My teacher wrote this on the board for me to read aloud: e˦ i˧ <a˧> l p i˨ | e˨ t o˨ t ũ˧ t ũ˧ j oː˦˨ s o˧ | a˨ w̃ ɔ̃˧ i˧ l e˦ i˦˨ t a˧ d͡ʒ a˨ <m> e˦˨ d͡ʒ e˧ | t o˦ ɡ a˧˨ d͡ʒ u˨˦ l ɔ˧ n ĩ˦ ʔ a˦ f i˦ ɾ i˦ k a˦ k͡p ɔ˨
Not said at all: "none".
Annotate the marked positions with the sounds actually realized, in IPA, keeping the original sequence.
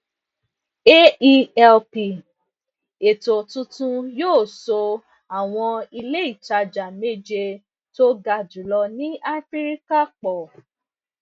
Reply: ɛ˧, m

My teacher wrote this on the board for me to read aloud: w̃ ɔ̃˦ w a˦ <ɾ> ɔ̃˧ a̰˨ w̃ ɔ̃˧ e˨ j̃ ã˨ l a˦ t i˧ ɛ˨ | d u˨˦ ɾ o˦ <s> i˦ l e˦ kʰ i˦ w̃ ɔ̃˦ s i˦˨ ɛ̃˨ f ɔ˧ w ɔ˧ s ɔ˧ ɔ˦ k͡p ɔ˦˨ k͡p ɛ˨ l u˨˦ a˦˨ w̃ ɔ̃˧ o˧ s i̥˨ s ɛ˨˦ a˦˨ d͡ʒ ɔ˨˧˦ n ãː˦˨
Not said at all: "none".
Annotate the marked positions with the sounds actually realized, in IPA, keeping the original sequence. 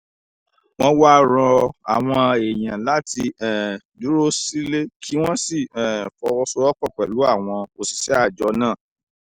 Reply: ɾ, s

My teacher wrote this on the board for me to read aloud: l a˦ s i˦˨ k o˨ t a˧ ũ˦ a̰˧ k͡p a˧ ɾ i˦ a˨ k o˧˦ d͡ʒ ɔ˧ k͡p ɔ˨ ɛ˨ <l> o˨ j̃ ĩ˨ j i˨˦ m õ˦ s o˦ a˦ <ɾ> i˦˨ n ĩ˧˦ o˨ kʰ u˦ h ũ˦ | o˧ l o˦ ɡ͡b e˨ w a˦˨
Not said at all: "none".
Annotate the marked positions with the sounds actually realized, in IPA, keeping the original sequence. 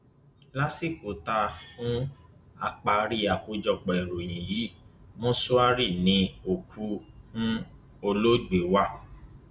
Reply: ɾ, ɾ

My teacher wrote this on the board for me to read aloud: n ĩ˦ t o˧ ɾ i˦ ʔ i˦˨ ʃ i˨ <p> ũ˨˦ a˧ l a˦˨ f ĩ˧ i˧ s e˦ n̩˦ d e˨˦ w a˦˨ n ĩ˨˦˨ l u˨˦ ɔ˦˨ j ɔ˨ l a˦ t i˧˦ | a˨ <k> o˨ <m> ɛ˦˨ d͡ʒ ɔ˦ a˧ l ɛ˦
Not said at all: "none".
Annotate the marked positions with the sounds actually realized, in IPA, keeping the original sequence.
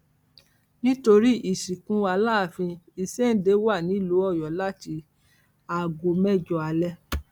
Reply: k, ɡ, m

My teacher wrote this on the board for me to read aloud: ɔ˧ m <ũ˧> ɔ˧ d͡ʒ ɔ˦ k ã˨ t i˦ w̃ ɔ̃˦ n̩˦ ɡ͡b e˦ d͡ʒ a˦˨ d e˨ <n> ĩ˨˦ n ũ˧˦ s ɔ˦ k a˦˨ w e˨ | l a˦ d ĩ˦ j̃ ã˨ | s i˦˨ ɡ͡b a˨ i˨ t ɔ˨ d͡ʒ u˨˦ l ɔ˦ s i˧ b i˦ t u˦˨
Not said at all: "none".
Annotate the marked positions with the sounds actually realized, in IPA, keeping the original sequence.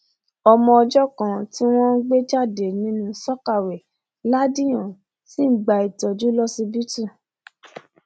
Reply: ɔ̃˧, n

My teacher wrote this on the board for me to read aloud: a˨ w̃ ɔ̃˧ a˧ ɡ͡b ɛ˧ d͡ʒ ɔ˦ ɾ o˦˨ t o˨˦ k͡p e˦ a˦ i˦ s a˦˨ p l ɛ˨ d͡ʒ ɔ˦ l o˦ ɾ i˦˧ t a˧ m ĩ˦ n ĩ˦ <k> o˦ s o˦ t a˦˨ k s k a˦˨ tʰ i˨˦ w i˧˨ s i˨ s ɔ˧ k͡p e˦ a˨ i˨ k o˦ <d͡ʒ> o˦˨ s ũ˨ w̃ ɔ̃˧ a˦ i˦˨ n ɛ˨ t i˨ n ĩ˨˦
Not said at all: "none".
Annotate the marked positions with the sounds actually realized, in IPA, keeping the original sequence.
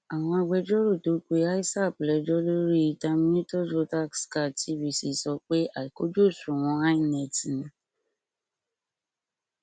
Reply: t, d͡ʒ

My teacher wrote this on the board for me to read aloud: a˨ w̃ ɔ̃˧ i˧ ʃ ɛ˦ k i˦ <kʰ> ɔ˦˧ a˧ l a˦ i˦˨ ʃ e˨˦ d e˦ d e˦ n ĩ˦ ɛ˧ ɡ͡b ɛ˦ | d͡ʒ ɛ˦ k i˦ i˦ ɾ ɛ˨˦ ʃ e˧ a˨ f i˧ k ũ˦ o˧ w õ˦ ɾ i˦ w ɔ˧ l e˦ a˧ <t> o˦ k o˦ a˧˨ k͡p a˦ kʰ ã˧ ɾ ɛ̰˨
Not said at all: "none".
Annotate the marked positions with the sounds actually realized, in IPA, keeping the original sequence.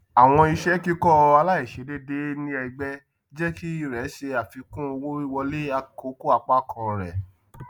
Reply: k, k

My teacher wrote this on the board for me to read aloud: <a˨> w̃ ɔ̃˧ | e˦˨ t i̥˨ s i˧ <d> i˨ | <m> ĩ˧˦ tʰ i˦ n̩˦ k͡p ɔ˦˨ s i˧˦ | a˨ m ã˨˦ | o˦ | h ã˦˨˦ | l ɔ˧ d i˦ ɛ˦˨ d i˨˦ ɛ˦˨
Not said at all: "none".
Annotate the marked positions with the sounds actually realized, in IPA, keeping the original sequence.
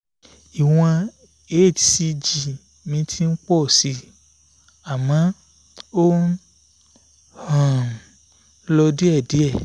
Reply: i˨, d͡ʒ, m

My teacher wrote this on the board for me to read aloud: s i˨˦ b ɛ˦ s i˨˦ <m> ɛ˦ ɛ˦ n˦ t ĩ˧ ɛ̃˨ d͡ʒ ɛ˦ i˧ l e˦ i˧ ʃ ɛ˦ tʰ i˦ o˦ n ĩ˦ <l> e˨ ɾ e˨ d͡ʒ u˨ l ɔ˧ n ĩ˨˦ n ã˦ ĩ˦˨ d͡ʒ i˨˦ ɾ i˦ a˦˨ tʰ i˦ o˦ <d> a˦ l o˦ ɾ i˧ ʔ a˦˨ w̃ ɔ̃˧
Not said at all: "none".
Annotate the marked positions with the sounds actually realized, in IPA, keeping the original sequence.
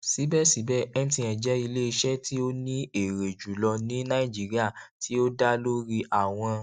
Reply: b, none, d

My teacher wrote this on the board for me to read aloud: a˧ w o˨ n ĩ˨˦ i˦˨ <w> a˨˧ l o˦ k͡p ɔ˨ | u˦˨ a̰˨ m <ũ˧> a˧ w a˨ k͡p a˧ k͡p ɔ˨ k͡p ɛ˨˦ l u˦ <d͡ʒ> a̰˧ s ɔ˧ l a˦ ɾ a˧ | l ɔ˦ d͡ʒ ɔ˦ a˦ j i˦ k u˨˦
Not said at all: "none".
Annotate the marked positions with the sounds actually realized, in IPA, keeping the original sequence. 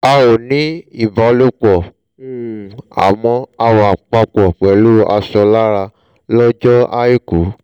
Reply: b, ɔ̃˧, none

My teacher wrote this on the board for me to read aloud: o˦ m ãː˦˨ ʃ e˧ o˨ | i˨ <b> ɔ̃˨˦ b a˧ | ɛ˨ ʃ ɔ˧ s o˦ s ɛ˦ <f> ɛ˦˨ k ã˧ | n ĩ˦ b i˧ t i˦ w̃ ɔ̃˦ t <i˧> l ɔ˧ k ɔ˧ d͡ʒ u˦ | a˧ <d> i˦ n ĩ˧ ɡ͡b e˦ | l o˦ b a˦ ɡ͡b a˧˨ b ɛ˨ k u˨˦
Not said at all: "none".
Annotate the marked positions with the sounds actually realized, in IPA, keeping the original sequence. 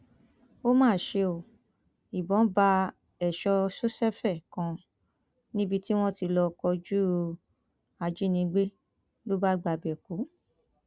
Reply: b, f, i˧, d͡ʒ

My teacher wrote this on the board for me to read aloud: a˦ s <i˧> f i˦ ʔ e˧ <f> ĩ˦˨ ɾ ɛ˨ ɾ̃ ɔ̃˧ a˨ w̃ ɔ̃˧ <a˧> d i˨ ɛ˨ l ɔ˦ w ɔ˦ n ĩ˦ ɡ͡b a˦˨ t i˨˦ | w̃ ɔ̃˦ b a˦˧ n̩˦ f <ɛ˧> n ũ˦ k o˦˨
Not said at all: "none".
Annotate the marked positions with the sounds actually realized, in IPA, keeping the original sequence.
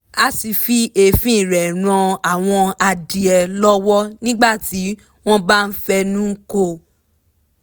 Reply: i˧, f, a˧, ɛ˧

